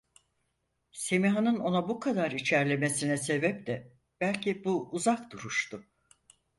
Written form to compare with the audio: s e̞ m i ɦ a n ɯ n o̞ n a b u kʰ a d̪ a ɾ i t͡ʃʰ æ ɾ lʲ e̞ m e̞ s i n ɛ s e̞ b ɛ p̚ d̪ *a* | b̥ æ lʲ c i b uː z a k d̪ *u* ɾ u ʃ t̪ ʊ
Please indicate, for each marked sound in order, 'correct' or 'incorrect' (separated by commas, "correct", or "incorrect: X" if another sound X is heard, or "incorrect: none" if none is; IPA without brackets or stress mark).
incorrect: ɛ, correct